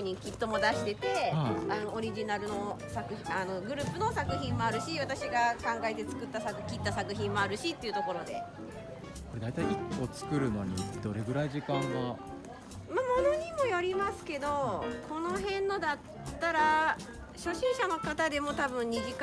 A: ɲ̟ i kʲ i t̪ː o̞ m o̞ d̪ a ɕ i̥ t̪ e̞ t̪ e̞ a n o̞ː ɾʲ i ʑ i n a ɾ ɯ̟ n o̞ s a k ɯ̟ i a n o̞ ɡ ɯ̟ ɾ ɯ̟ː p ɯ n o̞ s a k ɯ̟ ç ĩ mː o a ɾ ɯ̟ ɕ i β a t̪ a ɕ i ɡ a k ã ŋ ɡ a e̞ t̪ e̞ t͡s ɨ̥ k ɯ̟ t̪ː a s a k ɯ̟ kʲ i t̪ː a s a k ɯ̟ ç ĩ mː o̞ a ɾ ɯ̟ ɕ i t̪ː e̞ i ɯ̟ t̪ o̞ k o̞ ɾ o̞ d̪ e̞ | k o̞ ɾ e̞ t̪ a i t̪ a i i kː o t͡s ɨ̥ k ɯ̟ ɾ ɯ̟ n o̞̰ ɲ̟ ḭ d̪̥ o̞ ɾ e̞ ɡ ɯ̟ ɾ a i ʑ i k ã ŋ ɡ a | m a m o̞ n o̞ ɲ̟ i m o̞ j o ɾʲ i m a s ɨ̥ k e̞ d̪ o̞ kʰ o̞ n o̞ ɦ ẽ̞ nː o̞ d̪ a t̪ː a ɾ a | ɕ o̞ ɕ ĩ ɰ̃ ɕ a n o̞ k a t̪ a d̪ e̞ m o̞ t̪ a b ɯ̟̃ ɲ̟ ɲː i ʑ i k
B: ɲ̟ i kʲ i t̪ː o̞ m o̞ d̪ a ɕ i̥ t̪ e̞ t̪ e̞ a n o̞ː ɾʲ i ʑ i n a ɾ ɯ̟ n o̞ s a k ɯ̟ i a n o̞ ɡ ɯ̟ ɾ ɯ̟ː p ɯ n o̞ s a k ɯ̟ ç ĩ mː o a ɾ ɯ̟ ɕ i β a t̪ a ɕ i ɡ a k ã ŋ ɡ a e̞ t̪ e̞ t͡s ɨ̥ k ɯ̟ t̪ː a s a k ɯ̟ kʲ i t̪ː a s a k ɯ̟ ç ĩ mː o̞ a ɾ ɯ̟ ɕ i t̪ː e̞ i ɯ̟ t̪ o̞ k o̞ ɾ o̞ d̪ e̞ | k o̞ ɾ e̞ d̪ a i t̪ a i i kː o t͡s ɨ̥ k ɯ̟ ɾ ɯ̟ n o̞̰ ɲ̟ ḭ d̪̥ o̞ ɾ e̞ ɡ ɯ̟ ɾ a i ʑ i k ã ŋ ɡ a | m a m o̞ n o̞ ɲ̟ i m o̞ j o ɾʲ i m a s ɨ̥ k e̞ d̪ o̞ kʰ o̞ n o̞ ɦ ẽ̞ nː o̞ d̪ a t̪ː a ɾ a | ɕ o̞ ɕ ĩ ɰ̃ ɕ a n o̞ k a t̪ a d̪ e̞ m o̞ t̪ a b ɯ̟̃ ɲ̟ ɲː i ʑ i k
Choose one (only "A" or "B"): B